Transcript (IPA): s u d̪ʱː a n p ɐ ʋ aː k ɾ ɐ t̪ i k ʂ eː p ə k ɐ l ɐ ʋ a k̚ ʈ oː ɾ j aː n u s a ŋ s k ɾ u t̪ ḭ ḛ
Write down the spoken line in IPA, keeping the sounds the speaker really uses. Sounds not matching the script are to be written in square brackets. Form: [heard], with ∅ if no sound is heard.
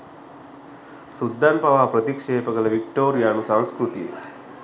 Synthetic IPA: s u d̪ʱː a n p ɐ ʋ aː [p] ɾ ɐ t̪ i k ʂ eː p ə k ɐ l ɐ ʋ [i] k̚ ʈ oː ɾ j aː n u s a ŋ s k ɾ u t̪ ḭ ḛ